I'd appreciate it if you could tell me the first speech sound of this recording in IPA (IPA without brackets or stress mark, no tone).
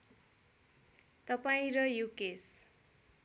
t̪